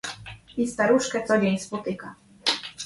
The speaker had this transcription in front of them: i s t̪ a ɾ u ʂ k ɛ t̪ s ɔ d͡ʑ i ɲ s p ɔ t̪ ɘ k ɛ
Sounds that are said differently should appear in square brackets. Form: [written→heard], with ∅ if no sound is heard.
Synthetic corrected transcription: i s t̪ a ɾ u ʂ k ɛ t̪ s ɔ d͡ʑ [i→e] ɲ s p ɔ t̪ ɘ k [ɛ→a]